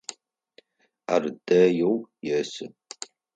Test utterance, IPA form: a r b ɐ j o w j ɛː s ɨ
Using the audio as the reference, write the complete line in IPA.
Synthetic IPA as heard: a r d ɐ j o w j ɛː s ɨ